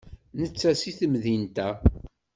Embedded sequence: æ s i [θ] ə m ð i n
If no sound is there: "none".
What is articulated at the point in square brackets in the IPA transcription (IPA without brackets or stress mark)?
θ